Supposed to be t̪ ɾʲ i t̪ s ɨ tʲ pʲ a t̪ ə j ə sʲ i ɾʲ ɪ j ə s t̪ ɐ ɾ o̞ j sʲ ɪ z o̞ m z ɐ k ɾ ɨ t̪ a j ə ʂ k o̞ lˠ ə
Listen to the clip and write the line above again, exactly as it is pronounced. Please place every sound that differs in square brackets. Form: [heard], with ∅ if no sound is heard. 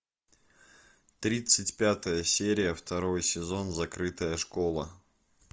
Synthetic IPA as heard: t̪ ɾʲ i t̪ s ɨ tʲ pʲ a t̪ ə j ə sʲ [e] ɾʲ ɪ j ə [f] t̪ ɐ ɾ o̞ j sʲ ɪ z o̞ [n] z ɐ k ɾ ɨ t̪ [ə] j ə ʂ k o̞ lˠ ə